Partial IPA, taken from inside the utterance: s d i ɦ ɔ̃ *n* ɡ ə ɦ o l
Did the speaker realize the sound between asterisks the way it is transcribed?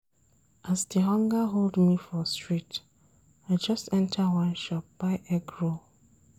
no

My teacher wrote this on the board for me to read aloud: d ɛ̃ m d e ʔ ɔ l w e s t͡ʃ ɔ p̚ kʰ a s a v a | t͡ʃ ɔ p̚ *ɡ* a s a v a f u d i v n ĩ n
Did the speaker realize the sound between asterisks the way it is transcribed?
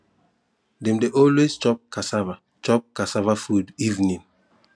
no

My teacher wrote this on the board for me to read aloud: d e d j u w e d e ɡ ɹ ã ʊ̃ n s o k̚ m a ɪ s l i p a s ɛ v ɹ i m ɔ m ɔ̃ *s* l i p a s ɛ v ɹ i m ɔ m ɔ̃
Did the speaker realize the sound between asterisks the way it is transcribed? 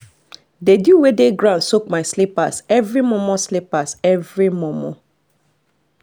yes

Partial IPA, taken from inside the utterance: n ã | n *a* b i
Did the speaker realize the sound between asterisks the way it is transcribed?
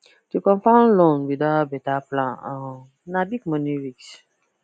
yes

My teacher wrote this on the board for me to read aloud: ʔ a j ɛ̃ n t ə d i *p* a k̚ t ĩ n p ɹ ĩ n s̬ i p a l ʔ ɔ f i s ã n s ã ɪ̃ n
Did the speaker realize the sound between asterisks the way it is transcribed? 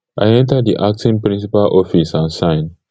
no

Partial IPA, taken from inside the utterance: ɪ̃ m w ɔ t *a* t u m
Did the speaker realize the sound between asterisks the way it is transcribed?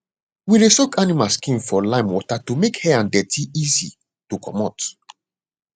yes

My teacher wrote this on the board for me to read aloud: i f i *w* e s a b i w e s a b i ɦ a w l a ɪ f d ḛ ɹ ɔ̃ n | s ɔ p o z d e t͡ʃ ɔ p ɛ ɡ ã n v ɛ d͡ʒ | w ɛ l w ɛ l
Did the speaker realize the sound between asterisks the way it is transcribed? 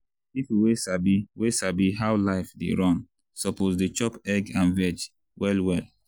yes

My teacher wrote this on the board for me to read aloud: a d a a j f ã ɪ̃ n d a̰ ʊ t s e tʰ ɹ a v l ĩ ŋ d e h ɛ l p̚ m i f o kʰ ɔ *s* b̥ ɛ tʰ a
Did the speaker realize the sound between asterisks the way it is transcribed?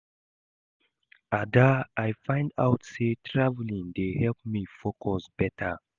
yes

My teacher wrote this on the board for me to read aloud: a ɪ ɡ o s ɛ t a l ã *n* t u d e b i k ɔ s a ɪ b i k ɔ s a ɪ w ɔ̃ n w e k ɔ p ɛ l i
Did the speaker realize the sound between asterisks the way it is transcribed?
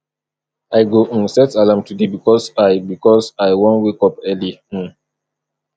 no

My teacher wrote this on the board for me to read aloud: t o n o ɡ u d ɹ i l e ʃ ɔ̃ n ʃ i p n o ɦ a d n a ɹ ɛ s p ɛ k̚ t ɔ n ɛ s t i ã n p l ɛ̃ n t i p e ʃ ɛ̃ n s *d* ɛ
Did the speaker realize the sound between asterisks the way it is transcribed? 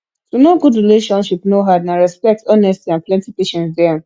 yes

